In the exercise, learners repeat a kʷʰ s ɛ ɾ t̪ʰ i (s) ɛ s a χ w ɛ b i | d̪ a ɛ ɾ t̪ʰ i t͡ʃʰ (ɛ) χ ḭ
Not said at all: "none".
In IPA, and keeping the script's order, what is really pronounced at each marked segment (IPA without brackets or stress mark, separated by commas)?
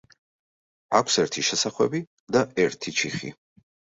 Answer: ʃ, i